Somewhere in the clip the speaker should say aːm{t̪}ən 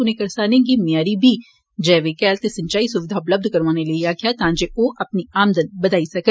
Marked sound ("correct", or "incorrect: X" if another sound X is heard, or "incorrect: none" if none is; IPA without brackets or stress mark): incorrect: d̪